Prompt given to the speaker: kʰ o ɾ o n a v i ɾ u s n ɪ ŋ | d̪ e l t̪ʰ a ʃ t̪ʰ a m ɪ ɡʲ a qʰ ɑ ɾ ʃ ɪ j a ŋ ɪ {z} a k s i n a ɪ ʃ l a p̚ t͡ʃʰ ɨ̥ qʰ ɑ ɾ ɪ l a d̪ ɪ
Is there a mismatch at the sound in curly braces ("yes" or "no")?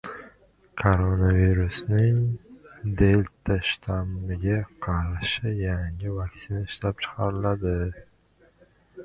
yes